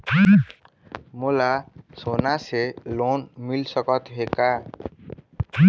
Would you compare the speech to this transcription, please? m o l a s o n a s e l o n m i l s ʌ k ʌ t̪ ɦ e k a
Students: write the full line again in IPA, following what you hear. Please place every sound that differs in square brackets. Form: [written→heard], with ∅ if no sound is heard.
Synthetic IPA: m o l a s o n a s e l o n m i l s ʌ k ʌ t̪ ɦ e k a

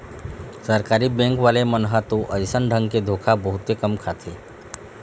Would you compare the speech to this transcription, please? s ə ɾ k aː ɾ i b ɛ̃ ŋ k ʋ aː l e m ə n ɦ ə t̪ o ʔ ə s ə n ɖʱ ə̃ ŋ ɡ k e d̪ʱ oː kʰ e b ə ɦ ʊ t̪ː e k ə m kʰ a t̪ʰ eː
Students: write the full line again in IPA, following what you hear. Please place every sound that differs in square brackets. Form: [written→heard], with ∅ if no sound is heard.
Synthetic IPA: s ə ɾ k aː ɾ i b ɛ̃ ŋ k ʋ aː l e m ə n ɦ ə t̪ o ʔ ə s ə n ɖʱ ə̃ ŋ ɡ k e d̪ʱ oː kʰ [e→a] b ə ɦ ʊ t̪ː e k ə m kʰ a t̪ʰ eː

